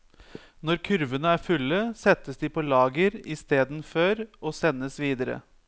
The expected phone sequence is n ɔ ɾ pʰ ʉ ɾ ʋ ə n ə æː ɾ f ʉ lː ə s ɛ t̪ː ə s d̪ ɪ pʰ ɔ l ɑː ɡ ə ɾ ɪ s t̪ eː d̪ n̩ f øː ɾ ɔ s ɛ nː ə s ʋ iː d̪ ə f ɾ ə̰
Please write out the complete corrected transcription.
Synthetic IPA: n ɔ ɾ kʰ ʉ ɾ ʋ ə n ə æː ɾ f ʉ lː ə s ɛ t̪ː ə s d̪ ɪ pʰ ɔ l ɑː ɡ ə ɾ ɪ s t̪ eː d̪ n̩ f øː ɾ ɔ s ɛ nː ə s ʋ iː d̪ ə ɾ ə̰